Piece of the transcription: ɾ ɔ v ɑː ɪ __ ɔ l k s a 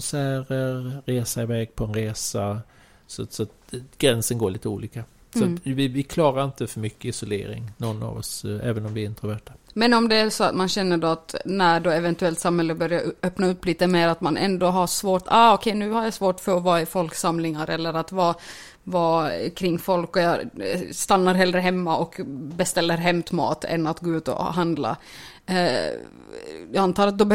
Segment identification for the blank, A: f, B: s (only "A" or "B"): A